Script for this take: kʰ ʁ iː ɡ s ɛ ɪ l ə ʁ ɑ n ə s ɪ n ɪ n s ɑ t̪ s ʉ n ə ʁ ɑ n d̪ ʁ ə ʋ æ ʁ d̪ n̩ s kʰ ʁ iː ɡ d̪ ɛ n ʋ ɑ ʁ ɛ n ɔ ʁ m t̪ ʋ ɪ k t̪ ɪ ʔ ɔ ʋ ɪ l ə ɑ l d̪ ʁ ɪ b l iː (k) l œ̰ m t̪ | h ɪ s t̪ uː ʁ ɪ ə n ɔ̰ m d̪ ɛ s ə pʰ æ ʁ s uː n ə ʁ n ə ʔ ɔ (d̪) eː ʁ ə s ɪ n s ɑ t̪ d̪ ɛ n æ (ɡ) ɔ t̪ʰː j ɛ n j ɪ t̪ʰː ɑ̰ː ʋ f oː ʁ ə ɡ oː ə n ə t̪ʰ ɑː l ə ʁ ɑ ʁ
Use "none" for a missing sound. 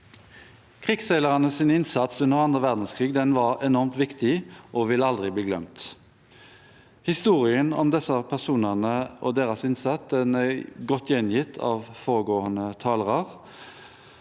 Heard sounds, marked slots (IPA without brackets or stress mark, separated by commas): ɡ, d̪, ɡ